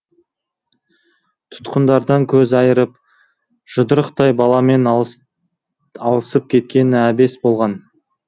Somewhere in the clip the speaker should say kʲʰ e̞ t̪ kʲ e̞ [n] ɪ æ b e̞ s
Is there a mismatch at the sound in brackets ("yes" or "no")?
no